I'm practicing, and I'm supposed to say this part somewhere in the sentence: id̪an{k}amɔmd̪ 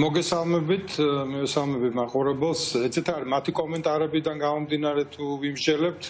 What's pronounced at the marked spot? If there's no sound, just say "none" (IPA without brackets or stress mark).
ɡ